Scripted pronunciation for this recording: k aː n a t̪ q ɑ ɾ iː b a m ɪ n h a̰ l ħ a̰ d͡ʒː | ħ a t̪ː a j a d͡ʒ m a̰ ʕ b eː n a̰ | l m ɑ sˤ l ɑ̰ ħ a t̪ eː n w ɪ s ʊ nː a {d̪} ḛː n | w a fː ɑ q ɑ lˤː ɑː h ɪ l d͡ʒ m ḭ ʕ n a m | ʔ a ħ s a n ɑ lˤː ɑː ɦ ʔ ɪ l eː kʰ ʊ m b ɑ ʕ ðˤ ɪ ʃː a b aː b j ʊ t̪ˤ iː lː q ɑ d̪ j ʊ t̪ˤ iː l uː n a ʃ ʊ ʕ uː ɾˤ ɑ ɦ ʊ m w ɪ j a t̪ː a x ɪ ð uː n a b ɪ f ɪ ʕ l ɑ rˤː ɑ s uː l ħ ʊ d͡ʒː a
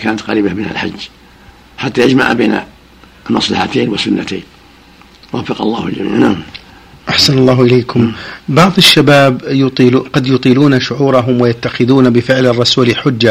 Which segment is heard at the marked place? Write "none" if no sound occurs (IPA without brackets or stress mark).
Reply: t̪